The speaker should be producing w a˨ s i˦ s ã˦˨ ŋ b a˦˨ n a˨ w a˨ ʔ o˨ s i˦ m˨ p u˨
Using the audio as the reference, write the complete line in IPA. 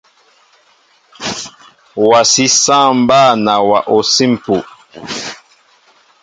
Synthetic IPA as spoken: w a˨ s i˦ s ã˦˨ m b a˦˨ n a˨ w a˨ ʔ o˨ s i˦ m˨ p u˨

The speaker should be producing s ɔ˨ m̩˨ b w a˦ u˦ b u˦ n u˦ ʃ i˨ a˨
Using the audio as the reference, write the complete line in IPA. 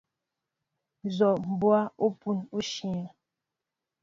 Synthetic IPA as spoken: z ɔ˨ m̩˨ b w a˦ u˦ p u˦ n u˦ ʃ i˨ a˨

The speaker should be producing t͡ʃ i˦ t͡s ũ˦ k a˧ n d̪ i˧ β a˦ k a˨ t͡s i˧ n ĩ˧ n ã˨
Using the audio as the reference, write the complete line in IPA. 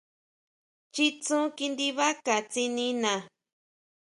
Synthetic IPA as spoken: t͡ʃ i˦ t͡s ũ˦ k i˧ n d̪ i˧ β a˦ k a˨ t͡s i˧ n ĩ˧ n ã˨

